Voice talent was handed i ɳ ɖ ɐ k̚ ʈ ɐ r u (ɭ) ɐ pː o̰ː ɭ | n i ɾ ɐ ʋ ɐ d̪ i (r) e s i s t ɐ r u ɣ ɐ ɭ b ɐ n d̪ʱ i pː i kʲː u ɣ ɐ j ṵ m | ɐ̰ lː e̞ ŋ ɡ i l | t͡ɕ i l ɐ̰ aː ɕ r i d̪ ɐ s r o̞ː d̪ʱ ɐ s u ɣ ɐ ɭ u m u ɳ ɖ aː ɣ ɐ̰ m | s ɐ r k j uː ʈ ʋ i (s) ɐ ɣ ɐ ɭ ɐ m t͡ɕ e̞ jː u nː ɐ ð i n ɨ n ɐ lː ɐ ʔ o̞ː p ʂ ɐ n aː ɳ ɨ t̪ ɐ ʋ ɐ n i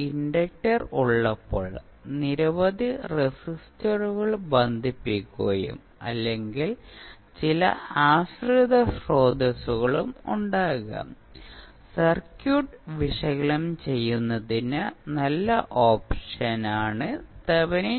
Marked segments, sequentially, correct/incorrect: incorrect: ɭː, correct, incorrect: ʂ

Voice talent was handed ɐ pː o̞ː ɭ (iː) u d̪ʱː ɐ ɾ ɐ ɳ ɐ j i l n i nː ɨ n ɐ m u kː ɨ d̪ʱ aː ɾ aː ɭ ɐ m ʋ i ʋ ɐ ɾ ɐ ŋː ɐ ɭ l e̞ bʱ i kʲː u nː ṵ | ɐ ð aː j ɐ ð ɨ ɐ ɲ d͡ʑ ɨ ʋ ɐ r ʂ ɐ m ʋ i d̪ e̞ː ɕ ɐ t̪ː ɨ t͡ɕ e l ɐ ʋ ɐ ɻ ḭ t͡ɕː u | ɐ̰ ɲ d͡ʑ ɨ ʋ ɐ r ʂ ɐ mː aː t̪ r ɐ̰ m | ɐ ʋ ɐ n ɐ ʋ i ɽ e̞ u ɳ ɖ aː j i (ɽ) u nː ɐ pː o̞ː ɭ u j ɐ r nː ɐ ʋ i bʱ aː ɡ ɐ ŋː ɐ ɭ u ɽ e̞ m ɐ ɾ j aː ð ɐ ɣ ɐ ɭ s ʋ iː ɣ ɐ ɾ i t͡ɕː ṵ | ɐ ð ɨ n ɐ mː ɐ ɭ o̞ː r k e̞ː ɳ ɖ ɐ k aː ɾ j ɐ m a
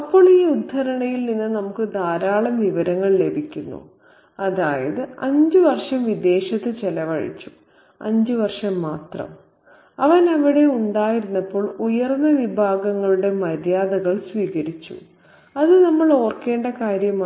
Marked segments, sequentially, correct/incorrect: correct, incorrect: ɾ

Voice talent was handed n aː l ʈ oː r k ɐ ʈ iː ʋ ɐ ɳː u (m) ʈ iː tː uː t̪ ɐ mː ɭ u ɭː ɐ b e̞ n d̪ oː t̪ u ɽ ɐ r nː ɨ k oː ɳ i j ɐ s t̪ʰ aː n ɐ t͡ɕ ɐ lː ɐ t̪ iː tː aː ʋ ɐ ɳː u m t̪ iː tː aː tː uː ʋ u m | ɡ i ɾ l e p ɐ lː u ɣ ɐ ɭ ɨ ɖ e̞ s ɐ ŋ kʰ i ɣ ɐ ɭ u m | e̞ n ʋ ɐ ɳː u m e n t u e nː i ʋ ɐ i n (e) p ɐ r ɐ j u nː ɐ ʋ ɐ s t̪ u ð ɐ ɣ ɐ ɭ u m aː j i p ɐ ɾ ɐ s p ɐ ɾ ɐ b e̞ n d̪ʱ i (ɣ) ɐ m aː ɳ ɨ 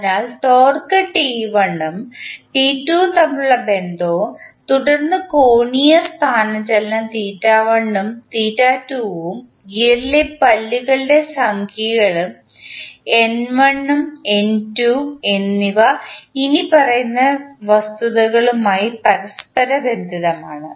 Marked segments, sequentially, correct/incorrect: correct, incorrect: i, incorrect: ð

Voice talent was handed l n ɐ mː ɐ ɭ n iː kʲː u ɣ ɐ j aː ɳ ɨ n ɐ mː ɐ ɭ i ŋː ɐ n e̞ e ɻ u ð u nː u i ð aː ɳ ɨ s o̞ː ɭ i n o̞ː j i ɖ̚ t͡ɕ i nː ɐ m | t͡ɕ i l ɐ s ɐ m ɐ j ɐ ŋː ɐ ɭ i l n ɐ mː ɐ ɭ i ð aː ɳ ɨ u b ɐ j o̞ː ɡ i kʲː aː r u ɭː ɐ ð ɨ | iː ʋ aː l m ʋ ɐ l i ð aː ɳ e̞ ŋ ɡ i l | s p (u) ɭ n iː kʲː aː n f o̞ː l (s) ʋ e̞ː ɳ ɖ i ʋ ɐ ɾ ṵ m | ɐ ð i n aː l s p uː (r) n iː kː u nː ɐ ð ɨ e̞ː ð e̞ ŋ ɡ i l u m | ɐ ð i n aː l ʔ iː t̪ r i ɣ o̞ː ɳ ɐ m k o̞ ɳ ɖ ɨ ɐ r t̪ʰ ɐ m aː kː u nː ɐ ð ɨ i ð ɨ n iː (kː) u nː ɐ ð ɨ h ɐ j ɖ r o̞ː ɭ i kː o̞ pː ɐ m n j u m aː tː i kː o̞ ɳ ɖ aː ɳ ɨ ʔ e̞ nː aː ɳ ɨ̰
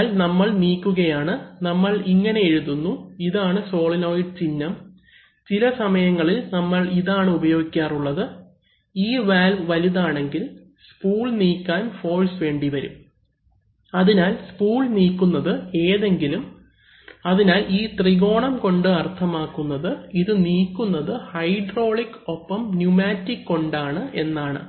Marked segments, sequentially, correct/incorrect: incorrect: uː, correct, incorrect: ɭ, correct

